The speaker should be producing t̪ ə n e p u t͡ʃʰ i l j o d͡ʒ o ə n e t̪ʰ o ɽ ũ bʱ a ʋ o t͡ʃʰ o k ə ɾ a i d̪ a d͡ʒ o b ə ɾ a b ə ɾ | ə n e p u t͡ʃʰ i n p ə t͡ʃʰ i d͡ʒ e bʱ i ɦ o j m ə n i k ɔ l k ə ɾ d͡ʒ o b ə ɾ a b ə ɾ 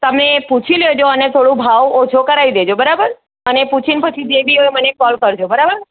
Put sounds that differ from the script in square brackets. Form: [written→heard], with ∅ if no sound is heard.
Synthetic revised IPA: t̪ ə [n→m] e p u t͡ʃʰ i l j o d͡ʒ o ə n e t̪ʰ o ɽ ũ bʱ a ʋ o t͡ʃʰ o k ə ɾ a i d̪ [a→e] d͡ʒ o b ə ɾ a b ə ɾ | ə n e p u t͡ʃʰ i n p ə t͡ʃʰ i d͡ʒ e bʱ i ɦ o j m ə n [i→e] k ɔ l k ə ɾ d͡ʒ o b ə ɾ a b ə ɾ